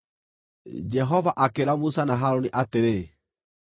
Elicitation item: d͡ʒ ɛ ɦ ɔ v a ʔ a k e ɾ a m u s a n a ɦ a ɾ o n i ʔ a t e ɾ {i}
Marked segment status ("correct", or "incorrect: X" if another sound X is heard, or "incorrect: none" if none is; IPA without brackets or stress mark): incorrect: e